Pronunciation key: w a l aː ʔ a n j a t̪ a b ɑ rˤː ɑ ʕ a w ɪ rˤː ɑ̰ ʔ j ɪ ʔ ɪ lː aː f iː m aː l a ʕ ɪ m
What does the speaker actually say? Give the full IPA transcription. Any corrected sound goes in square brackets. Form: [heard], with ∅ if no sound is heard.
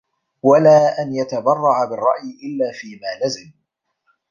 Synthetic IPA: w a l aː ʔ a n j a t̪ a b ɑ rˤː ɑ ʕ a [b] ɪ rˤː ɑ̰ ʔ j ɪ ʔ ɪ lː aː f iː m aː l a [z] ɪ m

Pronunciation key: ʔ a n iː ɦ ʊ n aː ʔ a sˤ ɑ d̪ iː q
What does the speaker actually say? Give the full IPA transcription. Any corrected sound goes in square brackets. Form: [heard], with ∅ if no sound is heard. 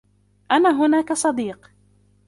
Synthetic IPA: ʔ a n [aː] ɦ ʊ n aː [k] a sˤ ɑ d̪ iː q

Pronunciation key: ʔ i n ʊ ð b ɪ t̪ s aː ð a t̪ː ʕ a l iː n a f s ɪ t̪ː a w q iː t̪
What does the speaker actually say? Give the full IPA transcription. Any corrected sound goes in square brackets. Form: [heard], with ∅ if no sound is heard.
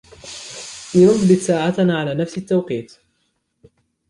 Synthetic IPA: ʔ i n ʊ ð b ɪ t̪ s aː [ʕ] a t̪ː ʕ a l [aː] n a f s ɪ t̪ː a w q iː t̪

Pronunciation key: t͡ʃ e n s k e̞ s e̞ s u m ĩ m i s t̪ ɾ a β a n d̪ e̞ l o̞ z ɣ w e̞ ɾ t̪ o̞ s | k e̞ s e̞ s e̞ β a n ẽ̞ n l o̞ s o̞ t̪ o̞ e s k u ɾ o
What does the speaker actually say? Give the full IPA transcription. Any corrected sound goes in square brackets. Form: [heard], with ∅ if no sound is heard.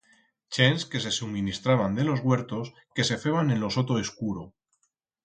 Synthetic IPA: t͡ʃ e n s k e̞ s e̞ s u m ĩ [n] i s t̪ ɾ a β a n d̪ e̞ l o̞ z ɣ w e̞ ɾ t̪ o̞ s | k e̞ s e̞ [f] e̞ β a n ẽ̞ n l o̞ s o̞ t̪ o̞ e s k u ɾ o

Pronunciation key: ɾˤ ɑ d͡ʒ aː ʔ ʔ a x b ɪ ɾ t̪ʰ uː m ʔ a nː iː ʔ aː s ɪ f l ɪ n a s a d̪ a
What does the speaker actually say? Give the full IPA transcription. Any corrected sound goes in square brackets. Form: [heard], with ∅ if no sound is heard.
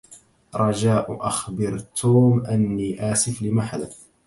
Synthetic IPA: ɾˤ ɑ d͡ʒ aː ʔ ʔ a x b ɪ ɾ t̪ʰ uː m ʔ a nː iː ʔ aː s ɪ f l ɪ [m] a [ħ] a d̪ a

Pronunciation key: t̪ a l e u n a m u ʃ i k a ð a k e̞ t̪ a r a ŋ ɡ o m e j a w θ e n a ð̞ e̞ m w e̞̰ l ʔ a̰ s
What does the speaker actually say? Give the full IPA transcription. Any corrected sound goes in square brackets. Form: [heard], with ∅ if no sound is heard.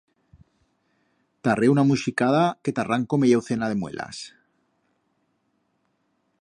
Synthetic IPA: t̪ a [r] e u n a m u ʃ i k a ð a k e̞ t̪ a r a ŋ [k] o m e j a w θ e n a ð̞ e̞ m w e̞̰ l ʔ a̰ s

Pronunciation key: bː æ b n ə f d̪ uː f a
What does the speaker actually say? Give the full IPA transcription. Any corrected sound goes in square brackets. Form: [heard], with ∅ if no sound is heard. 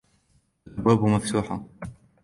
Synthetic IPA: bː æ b [m] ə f [t̪] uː [ħ] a

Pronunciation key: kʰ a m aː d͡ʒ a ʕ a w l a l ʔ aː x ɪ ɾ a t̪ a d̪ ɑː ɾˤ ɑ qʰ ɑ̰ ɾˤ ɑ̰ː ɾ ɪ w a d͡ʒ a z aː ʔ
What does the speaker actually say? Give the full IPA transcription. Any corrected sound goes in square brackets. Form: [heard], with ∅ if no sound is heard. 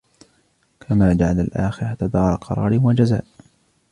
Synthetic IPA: kʰ a m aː d͡ʒ a ʕ a [∅] l a l ʔ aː x ɪ ɾ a t̪ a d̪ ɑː ɾˤ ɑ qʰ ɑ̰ ɾˤ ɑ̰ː ɾ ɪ w a d͡ʒ a z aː ʔ

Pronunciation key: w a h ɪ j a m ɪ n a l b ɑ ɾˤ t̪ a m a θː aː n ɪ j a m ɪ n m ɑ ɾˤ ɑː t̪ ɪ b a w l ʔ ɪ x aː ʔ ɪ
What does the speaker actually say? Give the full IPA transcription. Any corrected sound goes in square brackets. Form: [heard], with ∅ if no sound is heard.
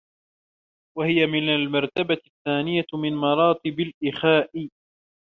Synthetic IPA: w a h ɪ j a m ɪ n a l [m] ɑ ɾˤ t̪ a [b] a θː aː n ɪ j a m ɪ n m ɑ ɾˤ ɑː t̪ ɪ b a [∅] l ʔ ɪ x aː ʔ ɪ

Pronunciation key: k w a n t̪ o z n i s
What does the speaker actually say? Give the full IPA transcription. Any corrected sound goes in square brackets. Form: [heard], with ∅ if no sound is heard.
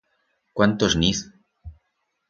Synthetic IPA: k w a n t̪ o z n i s

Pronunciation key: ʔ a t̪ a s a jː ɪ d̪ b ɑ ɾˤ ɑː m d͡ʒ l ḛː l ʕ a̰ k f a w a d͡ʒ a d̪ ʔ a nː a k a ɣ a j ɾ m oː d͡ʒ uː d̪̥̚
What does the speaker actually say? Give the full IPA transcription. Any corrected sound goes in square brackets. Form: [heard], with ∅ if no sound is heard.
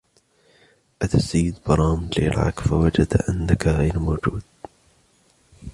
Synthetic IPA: ʔ a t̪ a s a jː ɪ d̪ b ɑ ɾˤ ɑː m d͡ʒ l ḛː l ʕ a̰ k f a w a d͡ʒ a d̪ ʔ a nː a k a ɣ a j ɾ m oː d͡ʒ uː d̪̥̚

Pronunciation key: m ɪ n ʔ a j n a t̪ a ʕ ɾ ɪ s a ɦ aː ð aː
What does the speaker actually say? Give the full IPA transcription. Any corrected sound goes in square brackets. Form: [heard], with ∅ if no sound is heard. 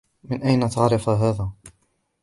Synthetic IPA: m ɪ n ʔ a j n a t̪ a ʕ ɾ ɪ [f] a ɦ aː ð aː

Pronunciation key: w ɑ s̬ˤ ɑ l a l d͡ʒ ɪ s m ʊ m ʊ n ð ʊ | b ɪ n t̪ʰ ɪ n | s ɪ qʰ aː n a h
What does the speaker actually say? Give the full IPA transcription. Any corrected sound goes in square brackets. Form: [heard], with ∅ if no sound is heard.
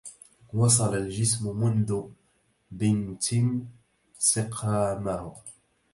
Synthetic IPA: w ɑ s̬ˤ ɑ l a l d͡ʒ ɪ s m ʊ m ʊ n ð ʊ | b ɪ n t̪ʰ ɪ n | s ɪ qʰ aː [m] a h

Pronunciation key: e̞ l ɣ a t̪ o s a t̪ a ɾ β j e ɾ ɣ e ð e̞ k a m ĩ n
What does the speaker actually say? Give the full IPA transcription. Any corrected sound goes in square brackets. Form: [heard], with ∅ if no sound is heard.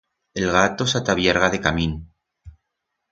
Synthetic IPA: e̞ l ɣ a t̪ o s a t̪ a [∅] β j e ɾ ɣ [a] ð e̞ k a m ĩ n

